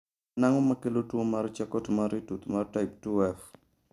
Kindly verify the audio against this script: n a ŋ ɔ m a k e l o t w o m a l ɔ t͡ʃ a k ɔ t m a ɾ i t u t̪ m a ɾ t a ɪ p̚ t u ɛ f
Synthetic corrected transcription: n a ŋ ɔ m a k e l o t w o m a ɾ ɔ t͡ʃ a k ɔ t m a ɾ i t u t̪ m a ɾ t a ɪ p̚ t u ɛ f